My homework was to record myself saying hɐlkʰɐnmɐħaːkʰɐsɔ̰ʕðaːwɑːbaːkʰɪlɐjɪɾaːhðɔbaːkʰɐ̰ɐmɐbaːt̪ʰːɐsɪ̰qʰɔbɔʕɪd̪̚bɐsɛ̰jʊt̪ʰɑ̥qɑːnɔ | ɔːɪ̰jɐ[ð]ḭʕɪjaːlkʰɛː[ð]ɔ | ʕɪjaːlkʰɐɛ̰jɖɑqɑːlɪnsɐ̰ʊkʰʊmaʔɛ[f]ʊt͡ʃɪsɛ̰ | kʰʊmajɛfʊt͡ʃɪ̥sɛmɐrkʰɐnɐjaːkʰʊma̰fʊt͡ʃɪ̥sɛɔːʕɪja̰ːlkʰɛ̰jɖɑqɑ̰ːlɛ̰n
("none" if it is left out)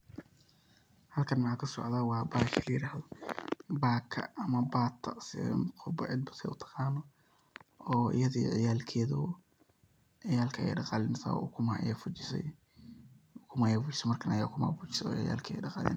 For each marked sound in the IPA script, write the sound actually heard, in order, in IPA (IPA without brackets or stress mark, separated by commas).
ð, ð, f